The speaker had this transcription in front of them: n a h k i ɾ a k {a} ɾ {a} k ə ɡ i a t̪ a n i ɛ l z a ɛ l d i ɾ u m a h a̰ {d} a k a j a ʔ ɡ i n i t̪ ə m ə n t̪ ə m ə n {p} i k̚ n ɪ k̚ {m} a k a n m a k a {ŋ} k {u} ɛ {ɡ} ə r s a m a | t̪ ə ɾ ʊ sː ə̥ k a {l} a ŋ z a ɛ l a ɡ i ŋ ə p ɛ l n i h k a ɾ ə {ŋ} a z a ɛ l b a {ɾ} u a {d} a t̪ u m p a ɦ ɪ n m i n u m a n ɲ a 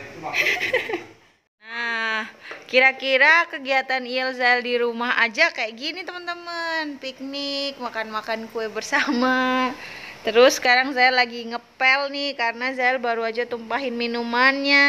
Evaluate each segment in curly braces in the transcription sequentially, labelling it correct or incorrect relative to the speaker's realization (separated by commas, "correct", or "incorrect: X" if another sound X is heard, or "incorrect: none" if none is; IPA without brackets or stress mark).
incorrect: i, correct, incorrect: d͡ʒ, correct, correct, incorrect: n, correct, incorrect: b, incorrect: ɾ, incorrect: n, correct, incorrect: d͡ʒ